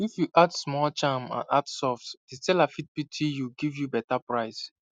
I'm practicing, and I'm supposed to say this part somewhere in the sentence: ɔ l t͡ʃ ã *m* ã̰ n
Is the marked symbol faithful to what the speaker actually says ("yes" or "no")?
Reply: yes